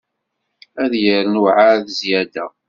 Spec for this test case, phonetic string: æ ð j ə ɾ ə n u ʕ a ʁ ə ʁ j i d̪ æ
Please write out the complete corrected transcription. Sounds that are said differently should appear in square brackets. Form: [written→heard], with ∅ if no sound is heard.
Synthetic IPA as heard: æ ð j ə ɾ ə n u ʕ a [ʁ→ð] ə [ʁ→z] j [i→æ] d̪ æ